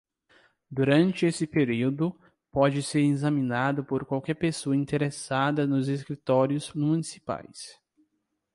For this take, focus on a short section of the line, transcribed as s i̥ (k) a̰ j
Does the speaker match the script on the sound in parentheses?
no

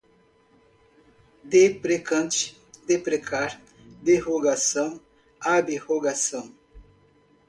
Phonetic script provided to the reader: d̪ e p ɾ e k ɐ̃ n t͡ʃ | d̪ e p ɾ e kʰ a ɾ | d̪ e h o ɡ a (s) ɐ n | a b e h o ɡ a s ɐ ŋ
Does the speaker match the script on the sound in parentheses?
yes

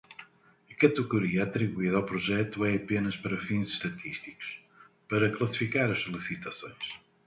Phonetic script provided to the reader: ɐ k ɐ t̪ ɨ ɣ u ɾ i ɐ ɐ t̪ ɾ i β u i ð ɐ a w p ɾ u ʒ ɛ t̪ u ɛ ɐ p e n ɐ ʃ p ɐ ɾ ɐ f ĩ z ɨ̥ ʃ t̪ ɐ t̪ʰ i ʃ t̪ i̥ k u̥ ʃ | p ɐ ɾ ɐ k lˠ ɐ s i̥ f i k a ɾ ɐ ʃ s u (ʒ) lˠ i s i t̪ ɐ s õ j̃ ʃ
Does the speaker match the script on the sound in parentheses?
no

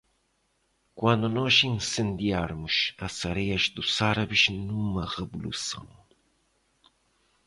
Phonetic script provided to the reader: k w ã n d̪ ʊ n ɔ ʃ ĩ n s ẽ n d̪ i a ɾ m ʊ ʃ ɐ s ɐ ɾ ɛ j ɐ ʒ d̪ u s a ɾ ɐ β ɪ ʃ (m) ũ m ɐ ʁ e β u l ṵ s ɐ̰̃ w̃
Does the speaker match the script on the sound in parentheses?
no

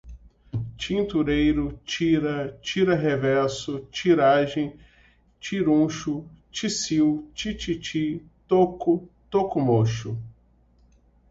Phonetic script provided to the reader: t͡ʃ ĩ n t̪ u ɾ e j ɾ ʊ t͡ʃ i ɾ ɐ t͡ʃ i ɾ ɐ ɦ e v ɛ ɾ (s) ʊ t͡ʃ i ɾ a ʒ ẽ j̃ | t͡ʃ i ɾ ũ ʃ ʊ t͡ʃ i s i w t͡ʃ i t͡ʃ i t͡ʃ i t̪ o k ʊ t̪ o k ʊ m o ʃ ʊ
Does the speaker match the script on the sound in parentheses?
yes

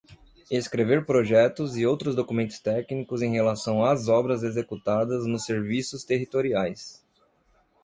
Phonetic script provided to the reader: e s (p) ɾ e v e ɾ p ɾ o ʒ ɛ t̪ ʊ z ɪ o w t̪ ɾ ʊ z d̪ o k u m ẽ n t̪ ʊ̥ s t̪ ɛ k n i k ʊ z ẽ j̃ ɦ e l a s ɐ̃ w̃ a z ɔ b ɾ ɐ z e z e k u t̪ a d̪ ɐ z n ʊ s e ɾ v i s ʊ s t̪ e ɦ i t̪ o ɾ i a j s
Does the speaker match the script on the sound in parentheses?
no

